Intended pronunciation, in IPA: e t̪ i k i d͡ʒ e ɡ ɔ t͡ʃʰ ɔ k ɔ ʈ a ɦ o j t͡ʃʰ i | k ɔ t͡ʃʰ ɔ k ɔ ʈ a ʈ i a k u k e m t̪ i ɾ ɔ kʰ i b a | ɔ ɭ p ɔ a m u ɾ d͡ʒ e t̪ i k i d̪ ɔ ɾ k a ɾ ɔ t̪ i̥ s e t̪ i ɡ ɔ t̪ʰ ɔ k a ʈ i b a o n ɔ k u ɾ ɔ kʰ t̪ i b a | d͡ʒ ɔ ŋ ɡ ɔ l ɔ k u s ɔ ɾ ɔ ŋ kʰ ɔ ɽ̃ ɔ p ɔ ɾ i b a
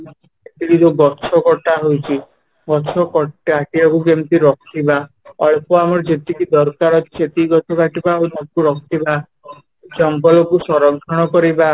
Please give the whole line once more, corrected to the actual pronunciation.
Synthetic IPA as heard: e t̪ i k i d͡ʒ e ɡ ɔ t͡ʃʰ ɔ k ɔ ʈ a ɦ o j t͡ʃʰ i | ɡ ɔ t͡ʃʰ ɔ k ɔ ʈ a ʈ i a k u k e m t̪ i ɾ ɔ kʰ i b a | ɔ ɭ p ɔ a m ɔ ɾ d͡ʒ e t̪ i k i d̪ ɔ ɾ k a ɾ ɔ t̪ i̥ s e t̪ i ɡ ɔ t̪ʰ ɔ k a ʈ i b a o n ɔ k u ɾ ɔ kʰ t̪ i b a | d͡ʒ ɔ ŋ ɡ ɔ l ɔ k u s ɔ ɾ ɔ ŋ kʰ ɔ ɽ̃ ɔ k ɔ ɾ i b a